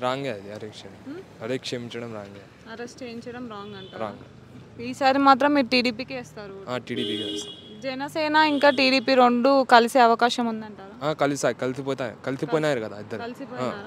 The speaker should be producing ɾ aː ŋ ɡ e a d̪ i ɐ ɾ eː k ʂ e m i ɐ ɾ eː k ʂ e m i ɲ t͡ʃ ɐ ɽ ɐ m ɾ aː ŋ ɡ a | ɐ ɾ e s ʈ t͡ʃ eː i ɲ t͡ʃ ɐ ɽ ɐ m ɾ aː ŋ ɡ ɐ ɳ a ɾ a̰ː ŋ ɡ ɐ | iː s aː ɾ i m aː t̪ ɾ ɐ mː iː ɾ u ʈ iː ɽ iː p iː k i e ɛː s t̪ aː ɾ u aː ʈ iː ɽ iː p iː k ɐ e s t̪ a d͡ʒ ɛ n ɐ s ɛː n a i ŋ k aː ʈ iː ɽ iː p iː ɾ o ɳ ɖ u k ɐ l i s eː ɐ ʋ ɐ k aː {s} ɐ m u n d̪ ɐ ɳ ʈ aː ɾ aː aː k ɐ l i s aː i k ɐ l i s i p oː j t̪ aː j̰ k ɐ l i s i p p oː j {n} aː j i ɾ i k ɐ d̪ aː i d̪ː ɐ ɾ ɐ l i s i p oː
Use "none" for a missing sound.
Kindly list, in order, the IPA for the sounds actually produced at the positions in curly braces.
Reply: ʃ, n

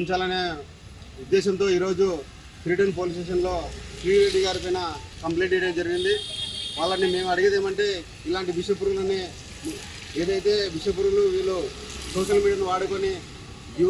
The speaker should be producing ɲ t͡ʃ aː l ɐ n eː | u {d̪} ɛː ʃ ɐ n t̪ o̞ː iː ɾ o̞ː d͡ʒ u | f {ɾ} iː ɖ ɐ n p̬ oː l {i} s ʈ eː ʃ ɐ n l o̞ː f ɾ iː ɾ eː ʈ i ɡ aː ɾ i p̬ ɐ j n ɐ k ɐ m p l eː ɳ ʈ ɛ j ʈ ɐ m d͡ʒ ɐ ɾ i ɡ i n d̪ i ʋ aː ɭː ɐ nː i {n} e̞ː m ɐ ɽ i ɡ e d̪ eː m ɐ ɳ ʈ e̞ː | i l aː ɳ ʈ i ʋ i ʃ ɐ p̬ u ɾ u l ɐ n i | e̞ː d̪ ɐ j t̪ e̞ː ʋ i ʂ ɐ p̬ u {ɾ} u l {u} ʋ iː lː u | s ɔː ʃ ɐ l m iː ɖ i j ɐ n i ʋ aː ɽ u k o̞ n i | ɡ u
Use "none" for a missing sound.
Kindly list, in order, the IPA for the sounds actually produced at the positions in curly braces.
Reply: d̪ː, ɾ, i, m, ɾ, u

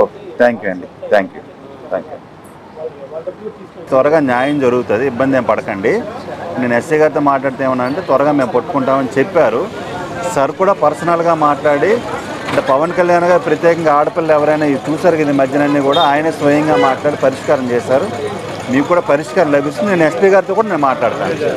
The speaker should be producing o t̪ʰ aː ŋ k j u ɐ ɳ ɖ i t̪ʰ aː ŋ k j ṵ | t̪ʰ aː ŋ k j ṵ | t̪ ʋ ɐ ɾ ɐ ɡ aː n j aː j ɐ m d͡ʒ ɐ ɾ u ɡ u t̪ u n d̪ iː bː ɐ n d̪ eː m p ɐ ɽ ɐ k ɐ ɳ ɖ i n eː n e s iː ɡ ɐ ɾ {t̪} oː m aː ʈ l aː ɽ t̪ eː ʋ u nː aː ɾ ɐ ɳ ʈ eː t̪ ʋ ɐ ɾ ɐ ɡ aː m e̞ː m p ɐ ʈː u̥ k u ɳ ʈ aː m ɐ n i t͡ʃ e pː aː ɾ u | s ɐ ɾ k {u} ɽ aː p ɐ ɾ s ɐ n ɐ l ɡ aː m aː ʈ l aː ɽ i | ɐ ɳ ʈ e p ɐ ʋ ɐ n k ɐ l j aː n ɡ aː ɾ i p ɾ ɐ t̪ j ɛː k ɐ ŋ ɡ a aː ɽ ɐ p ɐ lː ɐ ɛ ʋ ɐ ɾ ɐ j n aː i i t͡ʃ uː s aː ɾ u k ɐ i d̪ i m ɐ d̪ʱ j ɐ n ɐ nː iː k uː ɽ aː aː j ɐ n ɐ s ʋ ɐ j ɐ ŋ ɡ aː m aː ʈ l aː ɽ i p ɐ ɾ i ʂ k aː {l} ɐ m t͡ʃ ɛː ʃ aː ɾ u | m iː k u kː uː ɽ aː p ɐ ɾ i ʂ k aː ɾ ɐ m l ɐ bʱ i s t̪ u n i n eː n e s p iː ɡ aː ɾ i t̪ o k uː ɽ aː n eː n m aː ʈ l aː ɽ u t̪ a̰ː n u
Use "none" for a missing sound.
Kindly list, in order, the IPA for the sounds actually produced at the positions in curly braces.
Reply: t̪, uː, ɾ

